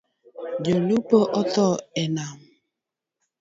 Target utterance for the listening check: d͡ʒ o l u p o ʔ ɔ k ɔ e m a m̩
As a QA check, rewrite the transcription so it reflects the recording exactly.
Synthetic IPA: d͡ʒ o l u p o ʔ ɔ t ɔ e n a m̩

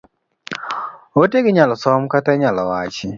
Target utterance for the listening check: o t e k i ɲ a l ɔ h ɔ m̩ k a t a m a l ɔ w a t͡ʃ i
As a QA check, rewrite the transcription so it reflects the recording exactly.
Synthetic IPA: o t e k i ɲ a l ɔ s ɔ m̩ k a t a ɲ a l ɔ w a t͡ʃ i

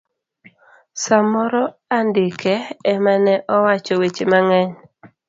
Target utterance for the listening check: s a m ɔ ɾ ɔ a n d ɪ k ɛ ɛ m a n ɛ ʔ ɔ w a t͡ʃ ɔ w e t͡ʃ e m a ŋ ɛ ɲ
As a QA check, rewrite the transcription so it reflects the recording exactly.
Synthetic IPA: s a m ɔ ɾ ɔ a n d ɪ k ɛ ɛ m a n ɛ ʔ ɔ w a t͡ʃ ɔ w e t͡ʃ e m a ŋ ɛ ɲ

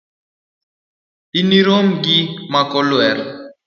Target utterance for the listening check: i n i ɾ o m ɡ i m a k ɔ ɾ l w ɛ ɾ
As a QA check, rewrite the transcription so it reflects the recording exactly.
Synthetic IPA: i n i ɾ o m ɡ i m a k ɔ l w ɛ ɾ

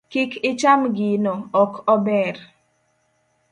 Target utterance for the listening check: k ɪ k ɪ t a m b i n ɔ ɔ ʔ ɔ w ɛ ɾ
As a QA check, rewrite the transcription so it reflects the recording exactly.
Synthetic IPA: k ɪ k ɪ t͡ʃ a m ɡ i n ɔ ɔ k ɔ b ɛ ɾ

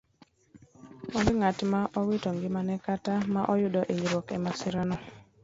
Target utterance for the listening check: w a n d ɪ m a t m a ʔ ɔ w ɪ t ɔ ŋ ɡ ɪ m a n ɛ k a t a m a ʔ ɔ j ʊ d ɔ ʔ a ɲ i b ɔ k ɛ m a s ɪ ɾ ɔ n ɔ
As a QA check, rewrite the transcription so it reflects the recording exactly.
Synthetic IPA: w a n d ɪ ŋ a t m a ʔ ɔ w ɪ t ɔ ŋ ɡ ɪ m a n ɛ k a t a m a ʔ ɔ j ʊ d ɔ ʔ e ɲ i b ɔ k ɛ m a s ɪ ɾ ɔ n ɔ

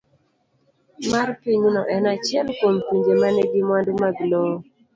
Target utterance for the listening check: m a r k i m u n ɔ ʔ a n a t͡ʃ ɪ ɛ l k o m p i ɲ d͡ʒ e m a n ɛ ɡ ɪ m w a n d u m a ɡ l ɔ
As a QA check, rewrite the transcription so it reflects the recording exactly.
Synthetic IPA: m a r p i ɲ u n ɔ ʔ ɛ n a t͡ʃ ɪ ɛ l k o m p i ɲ d͡ʒ e m a n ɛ ɡ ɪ m w a n d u m a ɡ l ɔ

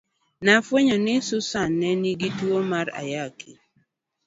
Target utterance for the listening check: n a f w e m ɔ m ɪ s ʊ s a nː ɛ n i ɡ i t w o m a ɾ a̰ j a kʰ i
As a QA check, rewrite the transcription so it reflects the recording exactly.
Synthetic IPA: n a f w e ɲ ɔ n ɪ s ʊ s a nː ɛ n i ɡ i t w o m a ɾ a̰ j a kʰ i

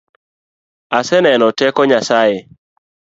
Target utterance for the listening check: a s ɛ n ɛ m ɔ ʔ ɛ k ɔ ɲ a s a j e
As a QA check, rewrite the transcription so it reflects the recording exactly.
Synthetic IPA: a s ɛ n ɛ n ɔ t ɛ k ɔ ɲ a s a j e

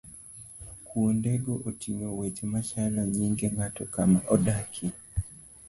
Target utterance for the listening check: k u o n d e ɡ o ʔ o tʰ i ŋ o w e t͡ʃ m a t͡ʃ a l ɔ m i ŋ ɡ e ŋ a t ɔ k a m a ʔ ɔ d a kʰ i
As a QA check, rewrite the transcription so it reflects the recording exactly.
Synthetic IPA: k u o n d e ɡ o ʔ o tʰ i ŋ o w e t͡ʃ m a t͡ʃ a l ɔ ɲ i ŋ ɡ e ŋ a t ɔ k a m a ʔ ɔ d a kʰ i

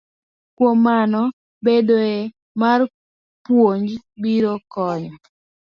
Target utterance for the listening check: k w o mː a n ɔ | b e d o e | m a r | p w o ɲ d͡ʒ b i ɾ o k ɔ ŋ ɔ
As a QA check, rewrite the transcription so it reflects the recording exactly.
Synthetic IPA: k w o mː a n ɔ | b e d o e | m a r | p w o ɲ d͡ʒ b i ɾ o k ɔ ɲ ɔ

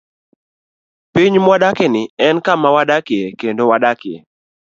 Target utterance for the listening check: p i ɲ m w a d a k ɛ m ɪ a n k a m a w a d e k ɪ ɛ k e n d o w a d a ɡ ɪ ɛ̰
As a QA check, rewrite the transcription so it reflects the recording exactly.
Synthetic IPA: p i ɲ m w a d a k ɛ n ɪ ɛ n k a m a w a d a k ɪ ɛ k e n d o w a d a k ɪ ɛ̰

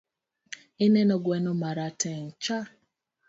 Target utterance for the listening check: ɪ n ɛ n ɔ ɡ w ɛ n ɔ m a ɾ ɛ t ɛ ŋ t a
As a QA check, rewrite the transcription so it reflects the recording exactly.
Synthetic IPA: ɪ n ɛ n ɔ ɡ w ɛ n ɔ m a ɾ a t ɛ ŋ t͡ʃ a

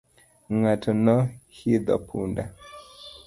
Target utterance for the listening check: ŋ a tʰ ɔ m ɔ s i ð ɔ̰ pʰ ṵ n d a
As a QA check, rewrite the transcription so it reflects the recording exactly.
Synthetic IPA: ŋ a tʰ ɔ n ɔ h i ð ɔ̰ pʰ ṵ n d a

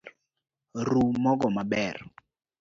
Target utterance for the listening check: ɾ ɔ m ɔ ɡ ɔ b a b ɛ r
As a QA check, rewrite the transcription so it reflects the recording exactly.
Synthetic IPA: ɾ u m ɔ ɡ ɔ m a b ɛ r

